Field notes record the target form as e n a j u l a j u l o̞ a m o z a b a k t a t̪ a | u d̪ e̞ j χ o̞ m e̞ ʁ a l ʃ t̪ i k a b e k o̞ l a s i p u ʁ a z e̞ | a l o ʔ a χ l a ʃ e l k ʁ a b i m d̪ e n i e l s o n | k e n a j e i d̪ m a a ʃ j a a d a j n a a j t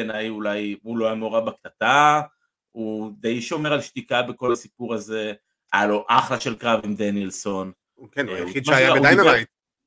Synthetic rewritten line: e n a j u l a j u l o̞ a m o ʁ a b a k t a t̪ a | u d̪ e̞ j ʃ o̞ m e̞ ʁ a l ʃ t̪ i k a b e k o̞ l a s i p u ʁ a z e̞ | a l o ʔ a χ l a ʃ e l k ʁ a v i m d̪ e n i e l s o n | k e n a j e i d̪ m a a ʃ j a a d a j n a a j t